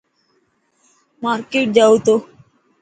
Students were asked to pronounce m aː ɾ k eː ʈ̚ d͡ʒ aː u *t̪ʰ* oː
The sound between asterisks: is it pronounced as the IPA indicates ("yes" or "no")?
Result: no